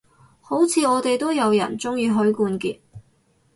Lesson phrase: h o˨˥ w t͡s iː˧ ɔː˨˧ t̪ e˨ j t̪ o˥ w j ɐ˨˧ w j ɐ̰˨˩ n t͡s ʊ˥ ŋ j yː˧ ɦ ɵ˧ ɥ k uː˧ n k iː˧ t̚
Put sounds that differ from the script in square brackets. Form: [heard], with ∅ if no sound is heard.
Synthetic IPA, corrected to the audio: h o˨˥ w [t͡sʰ] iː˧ ɔː˨˧ t̪ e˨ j t̪ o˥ w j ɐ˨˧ w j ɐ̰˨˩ n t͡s ʊ˥ ŋ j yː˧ ɦ [ɵ˨˥] ɥ k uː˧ n k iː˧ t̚